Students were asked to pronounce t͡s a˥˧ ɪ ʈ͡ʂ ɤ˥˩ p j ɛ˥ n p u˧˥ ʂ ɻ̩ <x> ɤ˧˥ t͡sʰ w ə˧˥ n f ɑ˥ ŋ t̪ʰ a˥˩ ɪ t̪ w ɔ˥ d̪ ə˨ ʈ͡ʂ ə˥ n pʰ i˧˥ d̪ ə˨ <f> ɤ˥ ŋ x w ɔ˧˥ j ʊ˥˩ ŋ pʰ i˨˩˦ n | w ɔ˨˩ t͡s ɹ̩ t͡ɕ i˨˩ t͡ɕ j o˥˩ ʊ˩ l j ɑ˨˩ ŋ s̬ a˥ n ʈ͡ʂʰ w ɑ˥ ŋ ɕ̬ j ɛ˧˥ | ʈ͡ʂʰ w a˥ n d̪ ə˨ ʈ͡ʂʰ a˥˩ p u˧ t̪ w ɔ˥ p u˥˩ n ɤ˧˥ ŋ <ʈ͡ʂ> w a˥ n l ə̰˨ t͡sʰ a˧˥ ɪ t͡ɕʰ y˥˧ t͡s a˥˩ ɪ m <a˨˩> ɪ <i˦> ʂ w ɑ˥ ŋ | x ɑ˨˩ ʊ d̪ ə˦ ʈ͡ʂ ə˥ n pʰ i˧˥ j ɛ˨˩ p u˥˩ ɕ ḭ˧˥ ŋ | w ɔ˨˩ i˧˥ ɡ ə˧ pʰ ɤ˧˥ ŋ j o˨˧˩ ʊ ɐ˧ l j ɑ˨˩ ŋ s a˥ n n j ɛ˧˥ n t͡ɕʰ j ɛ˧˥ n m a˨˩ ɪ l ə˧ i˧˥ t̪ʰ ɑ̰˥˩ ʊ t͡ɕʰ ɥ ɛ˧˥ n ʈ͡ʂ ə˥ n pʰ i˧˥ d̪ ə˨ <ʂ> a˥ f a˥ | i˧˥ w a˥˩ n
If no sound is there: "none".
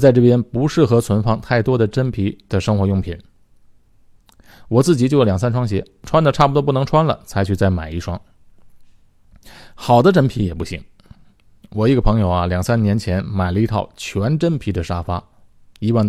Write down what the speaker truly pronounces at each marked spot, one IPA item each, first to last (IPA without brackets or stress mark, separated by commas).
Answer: x, ʂ, ʈ͡ʂʰ, a˨˩, i˥˩, ʂ